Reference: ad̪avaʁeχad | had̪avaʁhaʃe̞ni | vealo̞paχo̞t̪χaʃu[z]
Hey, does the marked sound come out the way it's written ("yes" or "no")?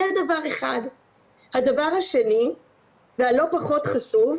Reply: no